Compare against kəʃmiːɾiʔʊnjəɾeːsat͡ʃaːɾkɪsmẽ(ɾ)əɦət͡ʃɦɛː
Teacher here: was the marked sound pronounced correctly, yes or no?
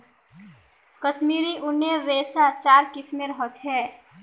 yes